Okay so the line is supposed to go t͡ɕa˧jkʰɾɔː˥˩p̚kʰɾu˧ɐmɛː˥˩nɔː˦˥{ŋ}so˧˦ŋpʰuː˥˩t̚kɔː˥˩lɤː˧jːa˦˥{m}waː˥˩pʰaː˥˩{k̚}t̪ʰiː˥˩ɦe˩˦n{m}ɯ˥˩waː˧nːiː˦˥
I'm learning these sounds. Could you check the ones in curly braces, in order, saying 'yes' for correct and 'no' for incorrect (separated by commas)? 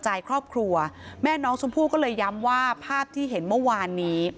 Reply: yes, yes, no, yes